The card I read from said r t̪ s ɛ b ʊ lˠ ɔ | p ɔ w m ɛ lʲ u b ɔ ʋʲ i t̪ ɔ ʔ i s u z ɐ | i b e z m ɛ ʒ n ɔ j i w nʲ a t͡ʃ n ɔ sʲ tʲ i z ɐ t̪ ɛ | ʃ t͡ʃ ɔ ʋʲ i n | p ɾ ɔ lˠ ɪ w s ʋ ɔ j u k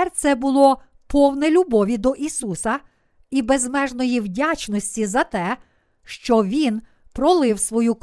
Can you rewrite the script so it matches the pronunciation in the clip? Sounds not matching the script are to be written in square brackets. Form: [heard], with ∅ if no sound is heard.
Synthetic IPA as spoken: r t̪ s ɛ b ʊ lˠ ɔ | p ɔ w [n] ɛ lʲ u b ɔ ʋʲ i [d̪] ɔ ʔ i s u [s] ɐ | i b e z m ɛ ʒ n ɔ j i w [dʲ] a t͡ʃ n ɔ sʲ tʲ i z ɐ t̪ ɛ | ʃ t͡ʃ ɔ ʋʲ i n | p ɾ ɔ lˠ ɪ w s ʋ ɔ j u k